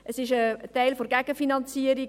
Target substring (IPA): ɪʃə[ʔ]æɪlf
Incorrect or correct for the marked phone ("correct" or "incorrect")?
incorrect